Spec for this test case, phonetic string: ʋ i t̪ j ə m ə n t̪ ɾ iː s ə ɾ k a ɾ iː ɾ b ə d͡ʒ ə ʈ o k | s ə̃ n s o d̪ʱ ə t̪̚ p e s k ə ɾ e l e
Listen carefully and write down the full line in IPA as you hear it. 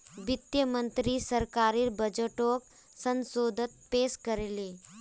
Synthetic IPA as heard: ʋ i t̪ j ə m ə n t̪ ɾ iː s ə ɾ k a ɾ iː ɾ b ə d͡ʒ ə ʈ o k | s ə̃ n s o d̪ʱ ə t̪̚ p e s k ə ɾ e l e